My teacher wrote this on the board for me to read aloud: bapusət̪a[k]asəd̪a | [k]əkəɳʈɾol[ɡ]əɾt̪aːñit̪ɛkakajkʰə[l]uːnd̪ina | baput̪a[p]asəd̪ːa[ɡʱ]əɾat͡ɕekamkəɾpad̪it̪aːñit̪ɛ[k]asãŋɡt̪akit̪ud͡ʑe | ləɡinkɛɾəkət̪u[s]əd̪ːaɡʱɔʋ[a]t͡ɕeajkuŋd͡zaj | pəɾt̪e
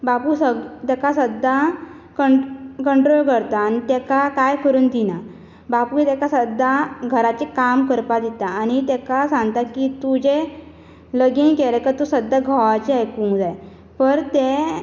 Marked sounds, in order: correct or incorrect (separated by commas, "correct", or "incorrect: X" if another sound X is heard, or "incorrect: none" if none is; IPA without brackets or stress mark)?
correct, correct, incorrect: k, incorrect: ɾ, incorrect: k, correct, correct, correct, correct